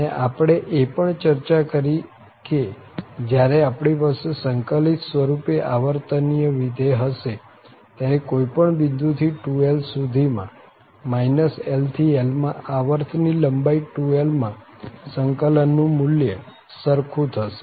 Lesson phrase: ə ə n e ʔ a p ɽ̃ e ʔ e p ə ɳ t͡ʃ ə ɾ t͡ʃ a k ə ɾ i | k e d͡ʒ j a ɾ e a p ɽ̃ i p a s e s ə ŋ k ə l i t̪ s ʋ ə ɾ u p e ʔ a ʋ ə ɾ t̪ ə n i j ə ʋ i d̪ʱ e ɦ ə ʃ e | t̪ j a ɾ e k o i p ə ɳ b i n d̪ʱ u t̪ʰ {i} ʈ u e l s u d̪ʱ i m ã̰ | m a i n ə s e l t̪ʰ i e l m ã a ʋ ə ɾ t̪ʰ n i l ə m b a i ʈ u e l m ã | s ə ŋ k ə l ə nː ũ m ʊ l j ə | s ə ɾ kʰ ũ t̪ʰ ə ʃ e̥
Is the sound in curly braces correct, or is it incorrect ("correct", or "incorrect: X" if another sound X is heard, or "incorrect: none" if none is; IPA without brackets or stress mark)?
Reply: correct